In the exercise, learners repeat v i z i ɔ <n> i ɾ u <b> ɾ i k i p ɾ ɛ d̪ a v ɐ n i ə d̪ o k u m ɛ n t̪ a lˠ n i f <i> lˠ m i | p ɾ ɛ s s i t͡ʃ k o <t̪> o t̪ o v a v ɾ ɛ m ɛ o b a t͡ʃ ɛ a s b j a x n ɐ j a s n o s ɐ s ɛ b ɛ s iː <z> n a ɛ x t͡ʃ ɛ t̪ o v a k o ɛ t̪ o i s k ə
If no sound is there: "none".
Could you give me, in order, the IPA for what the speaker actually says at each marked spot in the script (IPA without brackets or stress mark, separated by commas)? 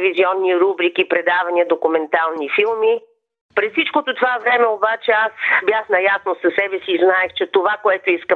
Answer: nː, b, i, t̪, z